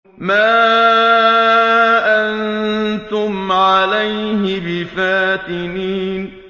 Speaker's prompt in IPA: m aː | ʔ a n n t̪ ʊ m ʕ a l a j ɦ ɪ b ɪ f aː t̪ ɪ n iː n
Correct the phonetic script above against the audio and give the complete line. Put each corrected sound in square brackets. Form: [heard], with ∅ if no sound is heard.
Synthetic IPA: m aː | ʔ a n n t̪ ʊ m ʕ a l a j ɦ ɪ b ɪ f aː t̪ ɪ n iː n